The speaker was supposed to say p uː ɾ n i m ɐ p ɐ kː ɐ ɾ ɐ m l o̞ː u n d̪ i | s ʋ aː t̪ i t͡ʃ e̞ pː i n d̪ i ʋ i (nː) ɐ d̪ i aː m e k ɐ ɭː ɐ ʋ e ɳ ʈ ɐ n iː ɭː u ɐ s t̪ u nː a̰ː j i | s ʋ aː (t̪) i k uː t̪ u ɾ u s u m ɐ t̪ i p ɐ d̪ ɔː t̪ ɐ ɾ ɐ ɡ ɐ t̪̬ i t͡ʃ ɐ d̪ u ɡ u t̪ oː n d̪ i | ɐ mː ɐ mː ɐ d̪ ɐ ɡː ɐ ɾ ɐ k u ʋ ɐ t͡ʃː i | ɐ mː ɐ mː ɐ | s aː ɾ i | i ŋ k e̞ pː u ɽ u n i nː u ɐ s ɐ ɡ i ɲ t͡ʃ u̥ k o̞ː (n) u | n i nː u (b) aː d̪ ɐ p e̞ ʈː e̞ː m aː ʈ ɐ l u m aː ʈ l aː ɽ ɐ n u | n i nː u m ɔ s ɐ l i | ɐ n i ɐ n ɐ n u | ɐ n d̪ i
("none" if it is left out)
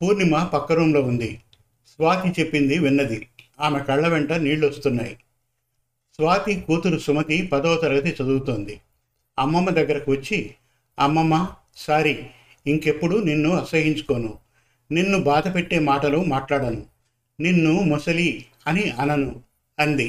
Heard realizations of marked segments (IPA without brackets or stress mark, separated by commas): nː, t̪, n, b